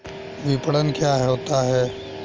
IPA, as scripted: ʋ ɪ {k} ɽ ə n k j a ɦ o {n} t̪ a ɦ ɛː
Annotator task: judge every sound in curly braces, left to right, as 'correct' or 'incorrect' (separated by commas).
incorrect, incorrect